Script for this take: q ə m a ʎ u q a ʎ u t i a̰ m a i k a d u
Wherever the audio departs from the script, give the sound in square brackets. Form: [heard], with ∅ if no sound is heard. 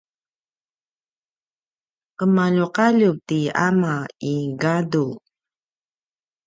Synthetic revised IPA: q ə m a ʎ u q a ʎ u t i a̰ m a i [ɡ] a d u